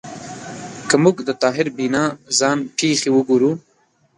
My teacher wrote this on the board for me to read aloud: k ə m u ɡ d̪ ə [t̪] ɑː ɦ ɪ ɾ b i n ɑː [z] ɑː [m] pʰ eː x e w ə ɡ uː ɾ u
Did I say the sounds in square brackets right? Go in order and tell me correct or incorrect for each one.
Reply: correct, correct, incorrect

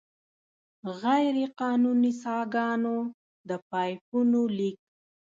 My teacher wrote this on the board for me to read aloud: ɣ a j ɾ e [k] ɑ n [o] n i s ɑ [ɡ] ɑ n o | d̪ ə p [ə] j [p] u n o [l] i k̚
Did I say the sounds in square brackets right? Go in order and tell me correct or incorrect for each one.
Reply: incorrect, incorrect, correct, incorrect, correct, correct

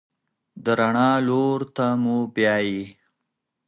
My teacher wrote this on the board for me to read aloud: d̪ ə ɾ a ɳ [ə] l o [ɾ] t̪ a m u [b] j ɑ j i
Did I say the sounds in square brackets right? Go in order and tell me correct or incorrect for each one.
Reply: incorrect, correct, correct

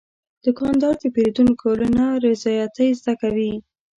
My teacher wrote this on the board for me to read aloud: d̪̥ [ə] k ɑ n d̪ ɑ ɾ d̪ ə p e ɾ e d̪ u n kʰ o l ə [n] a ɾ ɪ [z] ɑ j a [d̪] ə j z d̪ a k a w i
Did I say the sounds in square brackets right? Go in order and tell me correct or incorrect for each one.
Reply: correct, correct, correct, incorrect

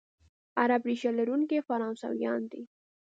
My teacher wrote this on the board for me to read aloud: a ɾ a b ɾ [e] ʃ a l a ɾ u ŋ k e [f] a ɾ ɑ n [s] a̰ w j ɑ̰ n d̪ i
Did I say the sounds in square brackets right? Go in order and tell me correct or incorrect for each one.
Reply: incorrect, correct, correct

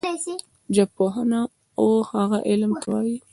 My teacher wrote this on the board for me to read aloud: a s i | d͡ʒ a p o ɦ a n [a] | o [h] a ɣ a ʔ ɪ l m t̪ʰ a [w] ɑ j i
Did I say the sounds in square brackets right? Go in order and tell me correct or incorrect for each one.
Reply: correct, correct, correct

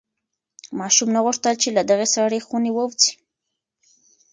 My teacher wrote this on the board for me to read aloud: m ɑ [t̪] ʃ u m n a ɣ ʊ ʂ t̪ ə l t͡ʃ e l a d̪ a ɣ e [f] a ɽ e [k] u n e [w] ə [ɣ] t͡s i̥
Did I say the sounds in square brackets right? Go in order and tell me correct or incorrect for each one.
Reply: incorrect, incorrect, incorrect, correct, incorrect

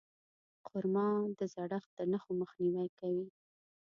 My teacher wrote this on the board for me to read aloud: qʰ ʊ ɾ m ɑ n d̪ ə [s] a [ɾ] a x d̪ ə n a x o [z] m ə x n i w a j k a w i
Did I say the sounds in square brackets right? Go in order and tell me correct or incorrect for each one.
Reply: incorrect, incorrect, incorrect

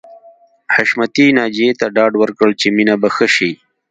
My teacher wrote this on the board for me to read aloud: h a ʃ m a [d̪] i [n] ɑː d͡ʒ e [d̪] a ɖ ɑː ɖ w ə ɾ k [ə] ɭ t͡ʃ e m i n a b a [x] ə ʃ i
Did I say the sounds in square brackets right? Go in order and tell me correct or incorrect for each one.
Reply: incorrect, correct, incorrect, correct, correct

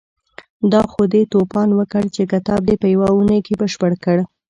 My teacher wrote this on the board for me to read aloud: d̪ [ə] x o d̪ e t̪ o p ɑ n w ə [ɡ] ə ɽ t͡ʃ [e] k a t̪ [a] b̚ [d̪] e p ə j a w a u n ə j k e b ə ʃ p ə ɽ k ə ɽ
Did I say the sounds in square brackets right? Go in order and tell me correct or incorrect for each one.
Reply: incorrect, incorrect, correct, incorrect, correct

